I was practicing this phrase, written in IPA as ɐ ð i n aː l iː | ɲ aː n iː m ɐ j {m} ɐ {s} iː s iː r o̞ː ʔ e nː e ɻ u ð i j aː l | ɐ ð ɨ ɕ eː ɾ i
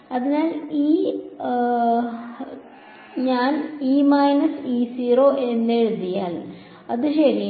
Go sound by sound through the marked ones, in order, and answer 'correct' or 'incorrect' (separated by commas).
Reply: incorrect, correct